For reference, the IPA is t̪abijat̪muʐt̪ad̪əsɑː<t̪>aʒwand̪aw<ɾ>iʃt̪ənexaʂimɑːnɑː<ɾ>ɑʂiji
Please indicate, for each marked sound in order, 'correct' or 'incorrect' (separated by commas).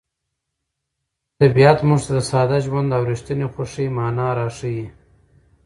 incorrect, correct, correct